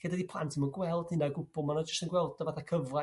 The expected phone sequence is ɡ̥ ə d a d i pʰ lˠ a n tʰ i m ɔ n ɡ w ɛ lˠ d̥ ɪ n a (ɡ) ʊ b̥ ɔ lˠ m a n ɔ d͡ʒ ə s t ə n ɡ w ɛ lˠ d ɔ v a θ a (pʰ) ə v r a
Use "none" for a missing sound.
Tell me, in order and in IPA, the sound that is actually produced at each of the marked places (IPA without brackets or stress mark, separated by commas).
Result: ɡ, kʰ